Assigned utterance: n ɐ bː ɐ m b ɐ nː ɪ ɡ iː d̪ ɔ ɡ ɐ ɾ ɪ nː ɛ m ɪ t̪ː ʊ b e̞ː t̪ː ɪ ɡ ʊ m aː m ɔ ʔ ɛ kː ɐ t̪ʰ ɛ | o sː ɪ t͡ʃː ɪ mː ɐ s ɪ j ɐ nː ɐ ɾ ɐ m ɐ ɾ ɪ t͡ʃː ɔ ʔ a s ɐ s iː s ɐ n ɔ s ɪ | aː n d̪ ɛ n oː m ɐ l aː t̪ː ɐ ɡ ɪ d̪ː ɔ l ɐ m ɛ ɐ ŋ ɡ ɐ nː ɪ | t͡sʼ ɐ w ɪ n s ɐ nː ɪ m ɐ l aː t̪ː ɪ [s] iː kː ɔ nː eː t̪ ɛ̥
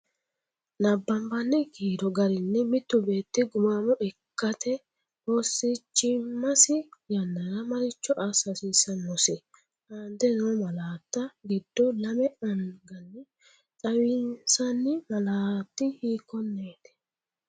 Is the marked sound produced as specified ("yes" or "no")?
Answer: no